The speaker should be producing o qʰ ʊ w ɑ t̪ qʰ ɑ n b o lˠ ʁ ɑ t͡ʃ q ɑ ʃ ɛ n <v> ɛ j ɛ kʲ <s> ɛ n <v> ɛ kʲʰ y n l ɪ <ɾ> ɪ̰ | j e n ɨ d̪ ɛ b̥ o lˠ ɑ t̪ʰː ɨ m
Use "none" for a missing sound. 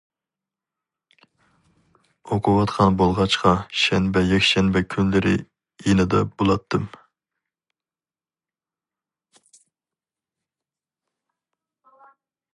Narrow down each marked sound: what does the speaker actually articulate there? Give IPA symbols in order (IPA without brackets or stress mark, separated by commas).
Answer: b, ʃ, b, ɾ